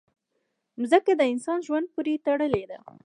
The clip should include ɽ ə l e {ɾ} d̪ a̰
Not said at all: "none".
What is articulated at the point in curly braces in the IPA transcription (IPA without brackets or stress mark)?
none